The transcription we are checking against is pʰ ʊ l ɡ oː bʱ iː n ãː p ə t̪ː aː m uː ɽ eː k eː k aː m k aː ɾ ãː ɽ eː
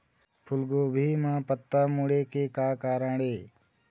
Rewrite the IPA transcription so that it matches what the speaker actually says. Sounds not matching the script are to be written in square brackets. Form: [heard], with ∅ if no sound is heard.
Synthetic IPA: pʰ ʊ l ɡ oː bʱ iː [m] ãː p ə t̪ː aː m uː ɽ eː k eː k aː [∅] k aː ɾ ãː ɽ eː